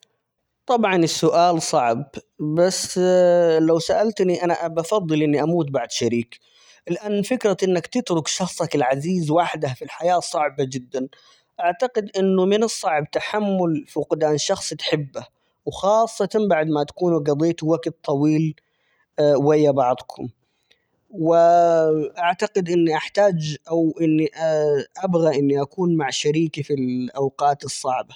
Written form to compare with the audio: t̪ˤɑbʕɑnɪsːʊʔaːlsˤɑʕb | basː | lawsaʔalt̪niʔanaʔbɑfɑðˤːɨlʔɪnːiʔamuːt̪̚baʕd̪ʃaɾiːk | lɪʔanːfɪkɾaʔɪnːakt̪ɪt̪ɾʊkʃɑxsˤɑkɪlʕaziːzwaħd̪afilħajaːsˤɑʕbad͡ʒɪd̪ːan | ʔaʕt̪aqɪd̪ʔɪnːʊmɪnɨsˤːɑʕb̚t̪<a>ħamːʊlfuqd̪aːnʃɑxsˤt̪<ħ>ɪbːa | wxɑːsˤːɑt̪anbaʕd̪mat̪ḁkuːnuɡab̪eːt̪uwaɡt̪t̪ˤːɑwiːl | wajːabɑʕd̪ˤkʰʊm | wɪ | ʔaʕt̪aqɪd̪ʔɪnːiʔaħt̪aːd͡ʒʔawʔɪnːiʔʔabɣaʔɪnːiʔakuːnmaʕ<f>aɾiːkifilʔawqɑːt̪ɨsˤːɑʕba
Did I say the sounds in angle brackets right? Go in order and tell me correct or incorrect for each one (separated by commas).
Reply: correct, correct, incorrect